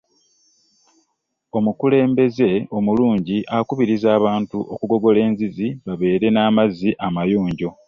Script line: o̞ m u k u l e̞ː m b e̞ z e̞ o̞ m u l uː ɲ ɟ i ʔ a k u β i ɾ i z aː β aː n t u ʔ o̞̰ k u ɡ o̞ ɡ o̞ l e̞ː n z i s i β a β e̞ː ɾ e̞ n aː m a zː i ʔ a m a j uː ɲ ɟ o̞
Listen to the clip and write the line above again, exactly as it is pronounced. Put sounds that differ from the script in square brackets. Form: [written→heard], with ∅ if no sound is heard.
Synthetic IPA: o̞ m u k u l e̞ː m b e̞ z e̞ o̞ m u l uː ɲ ɟ i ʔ a k u β i ɾ i z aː β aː n t u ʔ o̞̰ k u ɡ o̞ ɡ o̞ l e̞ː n z i [s→z] i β a β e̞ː ɾ e̞ n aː m a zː i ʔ a m a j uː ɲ ɟ o̞